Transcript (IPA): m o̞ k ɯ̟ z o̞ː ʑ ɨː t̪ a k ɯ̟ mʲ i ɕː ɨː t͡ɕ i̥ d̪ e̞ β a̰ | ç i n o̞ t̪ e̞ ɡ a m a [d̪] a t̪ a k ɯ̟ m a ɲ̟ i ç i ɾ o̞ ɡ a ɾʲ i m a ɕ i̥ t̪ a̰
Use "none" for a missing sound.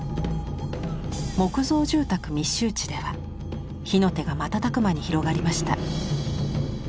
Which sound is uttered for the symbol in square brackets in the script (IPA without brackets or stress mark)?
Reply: t̪